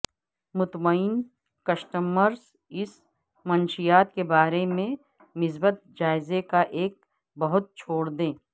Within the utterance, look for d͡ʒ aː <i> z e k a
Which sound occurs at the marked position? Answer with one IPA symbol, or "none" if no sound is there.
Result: ɪ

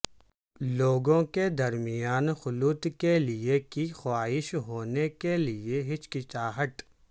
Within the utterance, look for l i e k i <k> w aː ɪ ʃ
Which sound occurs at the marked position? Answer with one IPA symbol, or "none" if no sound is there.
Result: x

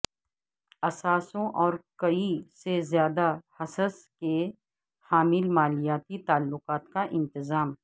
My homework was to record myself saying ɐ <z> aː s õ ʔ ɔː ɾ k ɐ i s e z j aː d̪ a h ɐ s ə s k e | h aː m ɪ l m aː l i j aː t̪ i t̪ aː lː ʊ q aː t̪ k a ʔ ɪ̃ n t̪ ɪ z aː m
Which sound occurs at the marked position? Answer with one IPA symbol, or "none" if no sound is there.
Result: s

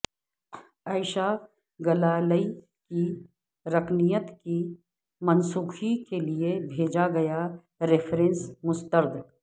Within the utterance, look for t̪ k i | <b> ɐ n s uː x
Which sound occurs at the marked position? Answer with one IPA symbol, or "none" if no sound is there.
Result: m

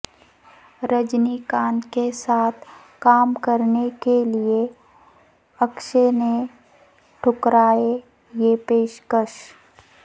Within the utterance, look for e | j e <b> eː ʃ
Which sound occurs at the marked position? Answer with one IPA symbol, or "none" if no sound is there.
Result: p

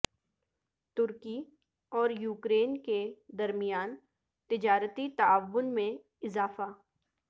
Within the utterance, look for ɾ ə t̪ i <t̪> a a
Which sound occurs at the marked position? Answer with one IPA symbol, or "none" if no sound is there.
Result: t̪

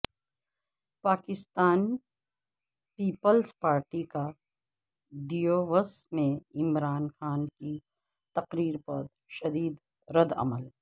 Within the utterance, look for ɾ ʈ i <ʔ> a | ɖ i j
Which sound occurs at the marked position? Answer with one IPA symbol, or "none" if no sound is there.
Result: k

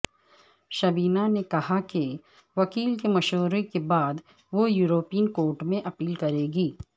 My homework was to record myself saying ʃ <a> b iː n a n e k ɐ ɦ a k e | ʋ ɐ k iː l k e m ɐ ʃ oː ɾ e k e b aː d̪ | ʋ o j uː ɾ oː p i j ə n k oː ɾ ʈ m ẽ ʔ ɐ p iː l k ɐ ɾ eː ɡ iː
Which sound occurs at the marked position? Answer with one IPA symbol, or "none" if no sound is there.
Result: ɐ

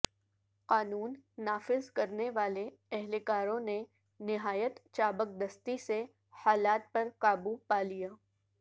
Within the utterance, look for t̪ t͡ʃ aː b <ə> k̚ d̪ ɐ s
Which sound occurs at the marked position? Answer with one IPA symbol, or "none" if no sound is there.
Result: ə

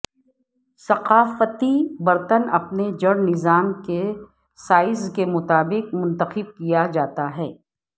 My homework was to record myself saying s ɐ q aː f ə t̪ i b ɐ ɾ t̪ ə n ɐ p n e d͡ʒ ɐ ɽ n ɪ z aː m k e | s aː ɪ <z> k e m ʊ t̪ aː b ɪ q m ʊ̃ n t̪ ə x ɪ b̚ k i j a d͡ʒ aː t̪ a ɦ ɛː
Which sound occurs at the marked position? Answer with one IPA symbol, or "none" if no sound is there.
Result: z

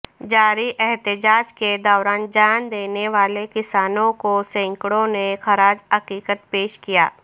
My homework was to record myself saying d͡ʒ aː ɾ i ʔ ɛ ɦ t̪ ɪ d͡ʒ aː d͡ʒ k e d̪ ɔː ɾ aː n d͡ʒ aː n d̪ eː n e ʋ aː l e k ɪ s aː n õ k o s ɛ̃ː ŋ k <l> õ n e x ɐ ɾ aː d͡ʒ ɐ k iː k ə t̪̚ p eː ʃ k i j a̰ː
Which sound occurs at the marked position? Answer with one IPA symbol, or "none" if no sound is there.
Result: ɽ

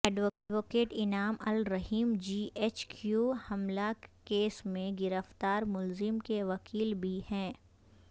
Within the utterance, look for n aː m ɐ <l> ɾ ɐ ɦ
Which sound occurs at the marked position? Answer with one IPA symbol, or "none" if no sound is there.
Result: l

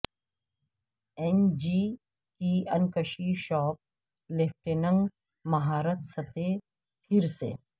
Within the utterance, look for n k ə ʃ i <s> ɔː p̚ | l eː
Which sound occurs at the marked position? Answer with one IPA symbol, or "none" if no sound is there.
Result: ʃ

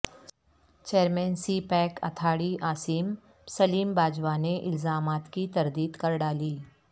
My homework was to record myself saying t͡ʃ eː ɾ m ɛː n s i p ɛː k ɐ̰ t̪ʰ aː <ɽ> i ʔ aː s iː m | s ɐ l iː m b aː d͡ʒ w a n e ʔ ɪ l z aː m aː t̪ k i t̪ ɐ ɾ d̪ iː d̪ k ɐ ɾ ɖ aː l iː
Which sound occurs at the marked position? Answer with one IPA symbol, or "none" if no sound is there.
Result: ɽ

